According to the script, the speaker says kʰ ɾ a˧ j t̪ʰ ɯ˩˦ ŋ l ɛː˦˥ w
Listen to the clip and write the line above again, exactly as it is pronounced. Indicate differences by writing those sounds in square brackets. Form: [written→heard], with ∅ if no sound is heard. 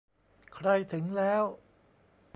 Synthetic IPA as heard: kʰ ɾ a˧ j t̪ʰ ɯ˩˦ ŋ l ɛː˦˥ w

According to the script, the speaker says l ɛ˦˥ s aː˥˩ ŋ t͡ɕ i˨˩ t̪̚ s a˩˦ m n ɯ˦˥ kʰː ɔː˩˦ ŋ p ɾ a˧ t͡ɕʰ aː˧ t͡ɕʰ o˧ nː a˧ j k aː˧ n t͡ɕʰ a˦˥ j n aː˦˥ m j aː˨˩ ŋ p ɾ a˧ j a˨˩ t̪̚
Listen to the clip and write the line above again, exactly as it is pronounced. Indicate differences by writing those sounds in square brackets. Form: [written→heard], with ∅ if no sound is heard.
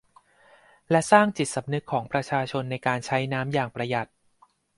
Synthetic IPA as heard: l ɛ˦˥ s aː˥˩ ŋ t͡ɕ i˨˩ t̪̚ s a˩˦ m n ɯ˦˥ kʰː ɔː˩˦ ŋ p ɾ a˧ t͡ɕʰ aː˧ t͡ɕʰ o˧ nː a˧ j k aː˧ n t͡ɕʰ a˦˥ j n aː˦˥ m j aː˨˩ ŋ p ɾ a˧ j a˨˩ t̪̚

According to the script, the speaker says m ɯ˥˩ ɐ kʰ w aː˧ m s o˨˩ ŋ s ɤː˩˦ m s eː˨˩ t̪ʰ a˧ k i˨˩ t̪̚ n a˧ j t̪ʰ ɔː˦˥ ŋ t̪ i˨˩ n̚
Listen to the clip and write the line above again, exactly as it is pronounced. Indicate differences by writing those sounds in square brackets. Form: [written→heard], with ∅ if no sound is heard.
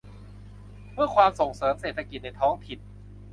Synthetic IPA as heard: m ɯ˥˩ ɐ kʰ w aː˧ m s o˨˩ ŋ s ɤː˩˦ m s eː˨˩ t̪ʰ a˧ k i˨˩ t̪̚ n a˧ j t̪ʰ ɔː˦˥ ŋ [t̪→t̪ʰ] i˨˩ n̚

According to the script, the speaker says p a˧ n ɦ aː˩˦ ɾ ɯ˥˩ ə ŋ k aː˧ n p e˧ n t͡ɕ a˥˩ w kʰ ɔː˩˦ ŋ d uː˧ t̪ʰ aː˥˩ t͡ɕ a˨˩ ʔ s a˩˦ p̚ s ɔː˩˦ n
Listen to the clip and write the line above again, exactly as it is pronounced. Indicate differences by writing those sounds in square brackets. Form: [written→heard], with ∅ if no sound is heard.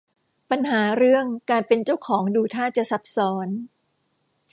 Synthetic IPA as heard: p a˧ n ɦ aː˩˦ ɾ ɯ˥˩ ə ŋ k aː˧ n p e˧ n t͡ɕ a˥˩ w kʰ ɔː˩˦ ŋ d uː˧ t̪ʰ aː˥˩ t͡ɕ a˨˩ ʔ s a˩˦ p̚ s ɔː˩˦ n

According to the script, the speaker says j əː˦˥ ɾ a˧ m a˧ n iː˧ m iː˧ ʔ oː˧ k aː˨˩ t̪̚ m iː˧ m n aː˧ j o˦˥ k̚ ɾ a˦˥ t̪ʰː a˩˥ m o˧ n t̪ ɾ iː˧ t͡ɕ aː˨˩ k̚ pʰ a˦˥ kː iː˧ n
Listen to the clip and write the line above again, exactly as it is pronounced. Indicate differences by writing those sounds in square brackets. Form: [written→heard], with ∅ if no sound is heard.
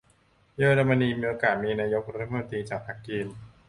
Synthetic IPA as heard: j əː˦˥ ɾ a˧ m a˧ n iː˧ m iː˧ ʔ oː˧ k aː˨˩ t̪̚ m iː˧ [m→∅] n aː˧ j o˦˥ k̚ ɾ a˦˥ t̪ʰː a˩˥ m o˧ n t̪ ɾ iː˧ t͡ɕ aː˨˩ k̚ pʰ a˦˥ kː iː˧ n

